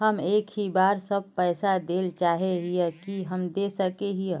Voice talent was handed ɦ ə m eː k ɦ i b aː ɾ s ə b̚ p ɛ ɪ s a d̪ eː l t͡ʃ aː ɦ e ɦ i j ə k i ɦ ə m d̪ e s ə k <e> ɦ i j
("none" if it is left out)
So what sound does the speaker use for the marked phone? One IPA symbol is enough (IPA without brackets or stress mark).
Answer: e